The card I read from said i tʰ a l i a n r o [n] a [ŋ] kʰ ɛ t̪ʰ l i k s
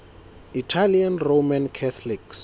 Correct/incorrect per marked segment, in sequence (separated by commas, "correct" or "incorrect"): incorrect, incorrect